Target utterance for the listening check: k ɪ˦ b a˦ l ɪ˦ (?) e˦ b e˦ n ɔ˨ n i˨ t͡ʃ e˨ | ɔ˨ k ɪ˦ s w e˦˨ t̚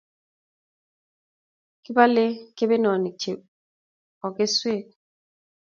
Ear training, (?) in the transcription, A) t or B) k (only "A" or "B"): B